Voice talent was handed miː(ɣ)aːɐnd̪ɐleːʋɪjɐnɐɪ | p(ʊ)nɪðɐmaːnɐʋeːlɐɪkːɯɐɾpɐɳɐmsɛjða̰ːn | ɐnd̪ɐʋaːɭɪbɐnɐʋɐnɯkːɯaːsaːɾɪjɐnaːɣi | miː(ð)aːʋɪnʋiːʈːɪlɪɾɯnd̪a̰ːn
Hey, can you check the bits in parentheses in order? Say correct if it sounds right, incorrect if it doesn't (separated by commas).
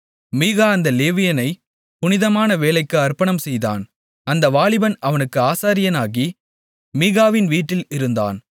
correct, correct, incorrect